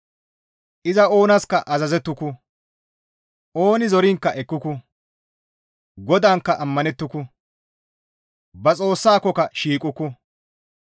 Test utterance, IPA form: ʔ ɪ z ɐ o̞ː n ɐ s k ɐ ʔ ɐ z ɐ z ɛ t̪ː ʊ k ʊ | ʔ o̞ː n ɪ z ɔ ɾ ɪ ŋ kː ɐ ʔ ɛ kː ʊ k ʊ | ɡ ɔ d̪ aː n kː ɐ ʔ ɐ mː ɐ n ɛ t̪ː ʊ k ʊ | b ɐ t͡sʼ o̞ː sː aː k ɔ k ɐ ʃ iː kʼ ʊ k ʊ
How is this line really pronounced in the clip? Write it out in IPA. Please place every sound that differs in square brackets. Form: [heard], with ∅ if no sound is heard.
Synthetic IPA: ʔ ɪ z ɐ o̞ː n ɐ s k ɐ ʔ ɐ z ɐ z ɛ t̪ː ʊ k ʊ | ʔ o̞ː n ɪ z ɔ ɾ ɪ ŋ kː ɐ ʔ ɛ kː ʊ k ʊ | ɡ ɔ d̪ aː [ŋ] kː ɐ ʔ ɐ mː ɐ n ɛ t̪ː ʊ k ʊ | b ɐ t͡sʼ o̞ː sː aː k ɔ k ɐ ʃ iː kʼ ʊ k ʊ

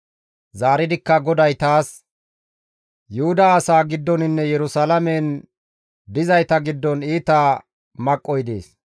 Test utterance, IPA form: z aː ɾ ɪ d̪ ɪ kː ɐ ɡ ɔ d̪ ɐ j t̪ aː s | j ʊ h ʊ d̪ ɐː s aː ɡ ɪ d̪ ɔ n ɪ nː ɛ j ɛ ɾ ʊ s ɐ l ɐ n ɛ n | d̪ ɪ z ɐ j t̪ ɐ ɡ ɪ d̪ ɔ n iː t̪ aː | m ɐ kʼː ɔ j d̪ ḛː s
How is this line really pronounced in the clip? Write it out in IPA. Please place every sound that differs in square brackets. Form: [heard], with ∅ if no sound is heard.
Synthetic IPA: z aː ɾ ɪ d̪ ɪ kː ɐ ɡ ɔ d̪ ɐ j t̪ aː s | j ʊ h ʊ d̪ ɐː s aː ɡ ɪ [d̪ː] ɔ n ɪ nː ɛ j ɛ ɾ ʊ s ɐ l ɐ [m] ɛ n | d̪ ɪ z ɐ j t̪ ɐ ɡ ɪ [d̪ː] ɔ n iː t̪ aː | m ɐ kʼː ɔ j d̪ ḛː s

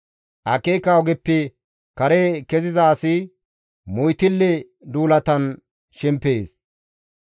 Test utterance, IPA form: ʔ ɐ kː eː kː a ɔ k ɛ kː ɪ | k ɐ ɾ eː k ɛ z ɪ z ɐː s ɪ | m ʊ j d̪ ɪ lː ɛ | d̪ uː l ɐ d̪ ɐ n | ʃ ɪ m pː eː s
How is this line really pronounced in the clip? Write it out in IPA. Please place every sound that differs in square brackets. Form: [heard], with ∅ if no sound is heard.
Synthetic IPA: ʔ ɐ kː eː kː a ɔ [ɡ] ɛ [pː] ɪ | k ɐ ɾ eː k ɛ z ɪ z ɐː s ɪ | m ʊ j [t̪] ɪ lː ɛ | d̪ uː l ɐ [t̪] ɐ n | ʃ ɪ m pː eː s

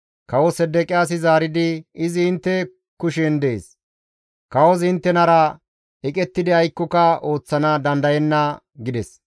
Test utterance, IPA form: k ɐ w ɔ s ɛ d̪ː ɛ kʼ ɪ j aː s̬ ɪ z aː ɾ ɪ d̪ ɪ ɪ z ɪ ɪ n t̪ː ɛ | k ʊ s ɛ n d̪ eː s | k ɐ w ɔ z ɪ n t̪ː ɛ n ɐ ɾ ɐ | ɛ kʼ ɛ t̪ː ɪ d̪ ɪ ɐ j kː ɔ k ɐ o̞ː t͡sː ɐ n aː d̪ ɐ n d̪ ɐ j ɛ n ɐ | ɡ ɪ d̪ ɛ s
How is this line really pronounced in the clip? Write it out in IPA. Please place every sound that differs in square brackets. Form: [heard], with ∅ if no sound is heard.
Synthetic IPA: k ɐ w ɔ s ɛ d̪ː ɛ kʼ ɪ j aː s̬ ɪ z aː ɾ ɪ d̪ ɪ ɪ z ɪ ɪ n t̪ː ɛ | k ʊ [ʃ] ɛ n d̪ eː s | k ɐ w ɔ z ɪ n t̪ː ɛ n ɐ ɾ ɐ | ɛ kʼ ɛ t̪ː ɪ d̪ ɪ ɐ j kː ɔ k ɐ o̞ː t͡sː ɐ n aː d̪ ɐ n d̪ ɐ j ɛ [nː] ɐ | ɡ ɪ d̪ ɛ s

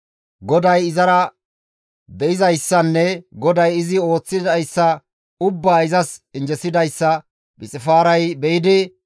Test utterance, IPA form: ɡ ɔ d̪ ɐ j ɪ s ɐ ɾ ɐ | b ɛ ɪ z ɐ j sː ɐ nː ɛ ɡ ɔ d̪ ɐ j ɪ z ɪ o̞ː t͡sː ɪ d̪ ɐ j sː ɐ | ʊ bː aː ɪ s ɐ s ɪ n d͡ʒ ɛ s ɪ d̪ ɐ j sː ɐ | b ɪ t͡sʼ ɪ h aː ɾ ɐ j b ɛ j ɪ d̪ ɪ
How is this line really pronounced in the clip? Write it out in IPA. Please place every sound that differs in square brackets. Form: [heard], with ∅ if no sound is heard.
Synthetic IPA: ɡ ɔ d̪ ɐ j ɪ [z] ɐ ɾ ɐ | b ɛ ɪ z ɐ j sː ɐ nː ɛ ɡ ɔ d̪ ɐ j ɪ z ɪ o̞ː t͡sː ɪ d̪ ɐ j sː ɐ | ʊ bː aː ɪ [z] ɐ s ɪ n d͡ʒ ɛ s ɪ d̪ ɐ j sː ɐ | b ɪ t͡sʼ ɪ [f] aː ɾ ɐ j b ɛ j ɪ d̪ ɪ

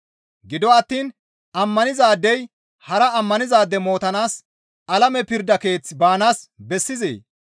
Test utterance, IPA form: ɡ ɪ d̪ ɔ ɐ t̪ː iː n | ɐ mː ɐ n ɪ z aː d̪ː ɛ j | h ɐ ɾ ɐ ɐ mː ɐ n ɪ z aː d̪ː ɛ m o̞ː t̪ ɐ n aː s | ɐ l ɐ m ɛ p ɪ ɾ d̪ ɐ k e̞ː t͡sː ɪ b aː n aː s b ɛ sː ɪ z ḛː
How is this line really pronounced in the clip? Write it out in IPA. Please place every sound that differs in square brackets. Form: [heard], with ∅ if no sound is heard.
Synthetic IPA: ɡ ɪ d̪ ɔ ɐ t̪ː iː n | ɐ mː ɐ n ɪ z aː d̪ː ɛ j | h ɐ ɾ ɐ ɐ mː ɐ n ɪ z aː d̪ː ɛ m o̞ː t̪ ɐ n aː s | ɐ l ɐ m ɛ p ɪ ɾ d̪ ɐ k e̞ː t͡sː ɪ b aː n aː s b ɛ sː ɪ z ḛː

